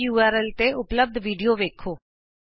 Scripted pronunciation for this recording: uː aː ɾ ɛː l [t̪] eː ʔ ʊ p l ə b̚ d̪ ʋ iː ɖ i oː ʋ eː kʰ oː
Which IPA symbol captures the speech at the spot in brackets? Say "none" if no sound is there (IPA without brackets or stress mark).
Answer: t̪